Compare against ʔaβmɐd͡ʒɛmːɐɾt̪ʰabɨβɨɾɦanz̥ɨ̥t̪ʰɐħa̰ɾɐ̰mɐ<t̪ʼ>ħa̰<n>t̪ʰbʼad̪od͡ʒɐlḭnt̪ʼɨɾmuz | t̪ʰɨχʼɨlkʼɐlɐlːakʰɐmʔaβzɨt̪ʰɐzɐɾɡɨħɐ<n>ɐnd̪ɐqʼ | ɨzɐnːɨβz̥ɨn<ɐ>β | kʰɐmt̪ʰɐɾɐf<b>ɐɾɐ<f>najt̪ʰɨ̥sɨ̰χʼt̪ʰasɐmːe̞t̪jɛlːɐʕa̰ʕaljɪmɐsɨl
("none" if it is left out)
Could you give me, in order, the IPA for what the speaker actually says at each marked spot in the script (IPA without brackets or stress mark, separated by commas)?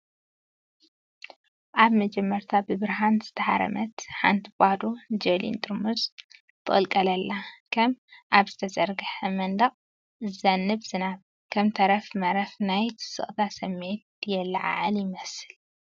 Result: t̪, n, m, a, m, f